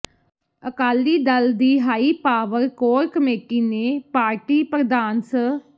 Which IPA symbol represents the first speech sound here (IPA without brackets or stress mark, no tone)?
ə